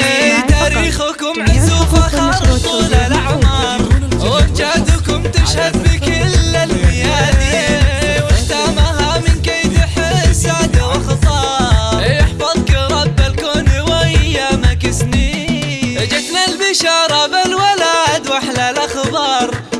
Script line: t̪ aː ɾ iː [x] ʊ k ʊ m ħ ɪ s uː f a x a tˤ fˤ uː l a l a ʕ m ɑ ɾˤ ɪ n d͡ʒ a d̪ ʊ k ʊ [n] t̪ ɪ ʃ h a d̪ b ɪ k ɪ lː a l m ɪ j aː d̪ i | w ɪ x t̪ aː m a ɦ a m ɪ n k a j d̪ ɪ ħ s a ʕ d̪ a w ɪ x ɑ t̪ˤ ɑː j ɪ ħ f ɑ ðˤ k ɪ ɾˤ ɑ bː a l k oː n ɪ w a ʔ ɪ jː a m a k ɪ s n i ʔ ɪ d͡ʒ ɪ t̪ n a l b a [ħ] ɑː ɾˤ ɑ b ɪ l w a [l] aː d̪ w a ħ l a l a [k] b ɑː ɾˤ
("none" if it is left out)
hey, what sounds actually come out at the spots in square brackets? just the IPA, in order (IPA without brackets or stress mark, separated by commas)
x, m, ʃ, l, x